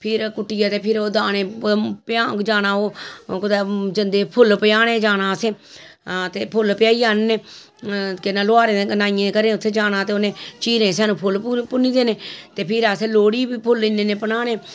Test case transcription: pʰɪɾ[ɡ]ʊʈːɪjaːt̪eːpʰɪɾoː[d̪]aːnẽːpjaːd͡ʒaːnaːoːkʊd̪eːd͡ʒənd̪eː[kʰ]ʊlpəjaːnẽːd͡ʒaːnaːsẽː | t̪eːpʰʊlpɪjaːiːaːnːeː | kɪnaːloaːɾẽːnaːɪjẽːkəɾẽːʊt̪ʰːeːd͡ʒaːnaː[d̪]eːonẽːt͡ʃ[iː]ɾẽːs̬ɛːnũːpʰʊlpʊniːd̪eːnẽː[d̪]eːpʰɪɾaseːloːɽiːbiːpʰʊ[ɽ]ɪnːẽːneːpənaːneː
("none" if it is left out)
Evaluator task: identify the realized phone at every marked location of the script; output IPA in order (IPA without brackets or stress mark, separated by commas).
k, d̪, pʰ, t̪, iː, t̪, l